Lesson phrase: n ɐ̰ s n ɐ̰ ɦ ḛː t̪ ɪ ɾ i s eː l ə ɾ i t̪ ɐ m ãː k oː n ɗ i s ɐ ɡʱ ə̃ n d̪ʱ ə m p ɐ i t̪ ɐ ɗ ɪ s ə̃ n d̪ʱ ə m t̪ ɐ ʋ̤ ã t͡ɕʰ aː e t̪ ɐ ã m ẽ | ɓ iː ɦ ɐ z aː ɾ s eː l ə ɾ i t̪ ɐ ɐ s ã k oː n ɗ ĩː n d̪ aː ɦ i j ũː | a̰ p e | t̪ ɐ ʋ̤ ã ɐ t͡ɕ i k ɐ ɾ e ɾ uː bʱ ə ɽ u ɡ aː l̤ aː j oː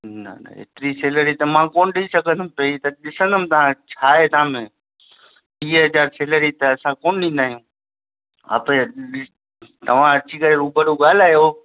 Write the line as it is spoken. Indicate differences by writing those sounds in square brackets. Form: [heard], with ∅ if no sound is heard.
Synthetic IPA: n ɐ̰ [∅] n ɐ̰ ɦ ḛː t̪ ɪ ɾ i s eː l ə ɾ i t̪ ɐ m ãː k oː n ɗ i s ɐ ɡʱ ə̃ n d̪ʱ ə m p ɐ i t̪ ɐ ɗ ɪ s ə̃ n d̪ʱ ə m t̪ ɐ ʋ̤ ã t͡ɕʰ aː e t̪ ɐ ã m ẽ | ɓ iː ɦ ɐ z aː ɾ s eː l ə ɾ i t̪ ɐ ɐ s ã k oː n ɗ ĩː n d̪ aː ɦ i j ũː | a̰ p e | t̪ ɐ ʋ̤ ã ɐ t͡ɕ i k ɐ ɾ e ɾ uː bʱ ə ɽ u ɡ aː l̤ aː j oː